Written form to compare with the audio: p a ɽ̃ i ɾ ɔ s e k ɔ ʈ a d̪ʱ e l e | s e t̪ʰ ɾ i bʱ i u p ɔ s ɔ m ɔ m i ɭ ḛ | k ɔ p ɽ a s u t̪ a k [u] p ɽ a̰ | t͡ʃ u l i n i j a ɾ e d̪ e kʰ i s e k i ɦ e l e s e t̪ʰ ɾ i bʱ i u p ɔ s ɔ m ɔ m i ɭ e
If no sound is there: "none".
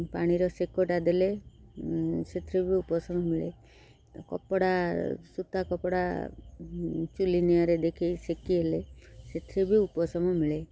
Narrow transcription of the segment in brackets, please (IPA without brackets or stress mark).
ɔ